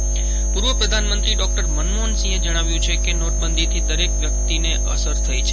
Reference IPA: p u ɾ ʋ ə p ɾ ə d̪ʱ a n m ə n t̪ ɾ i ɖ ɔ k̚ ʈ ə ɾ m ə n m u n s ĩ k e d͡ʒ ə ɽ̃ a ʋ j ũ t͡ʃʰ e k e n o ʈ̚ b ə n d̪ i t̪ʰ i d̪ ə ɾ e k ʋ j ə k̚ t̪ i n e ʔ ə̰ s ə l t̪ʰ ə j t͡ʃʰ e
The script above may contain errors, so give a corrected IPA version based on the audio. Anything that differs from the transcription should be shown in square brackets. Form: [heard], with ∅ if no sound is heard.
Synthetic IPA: p u ɾ ʋ ə p ɾ ə d̪ʱ a n m ə n t̪ ɾ i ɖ ɔ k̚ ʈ ə ɾ m ə n m [o] n s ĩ [∅] e d͡ʒ ə ɽ̃ a ʋ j ũ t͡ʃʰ e k e n o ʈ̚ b ə n d̪ i t̪ʰ i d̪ ə ɾ e k ʋ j ə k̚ t̪ i n e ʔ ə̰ s ə [ɾ] t̪ʰ ə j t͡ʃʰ e